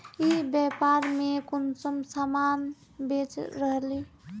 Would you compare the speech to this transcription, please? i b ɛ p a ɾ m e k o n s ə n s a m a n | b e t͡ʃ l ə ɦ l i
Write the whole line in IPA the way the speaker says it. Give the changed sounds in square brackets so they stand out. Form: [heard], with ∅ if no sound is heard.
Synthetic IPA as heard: i b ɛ p a ɾ m e k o n s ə [m] s a m a n | b e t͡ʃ [ɾ] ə ɦ l i